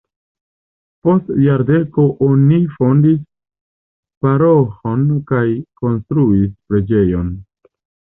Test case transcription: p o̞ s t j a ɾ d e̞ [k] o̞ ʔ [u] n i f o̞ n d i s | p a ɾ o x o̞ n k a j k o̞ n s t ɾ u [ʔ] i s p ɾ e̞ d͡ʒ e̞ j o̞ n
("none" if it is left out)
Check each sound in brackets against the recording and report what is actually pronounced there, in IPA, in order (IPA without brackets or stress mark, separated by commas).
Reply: k, o, none